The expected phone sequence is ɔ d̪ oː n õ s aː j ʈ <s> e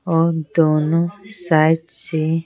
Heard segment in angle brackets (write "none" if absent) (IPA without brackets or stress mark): s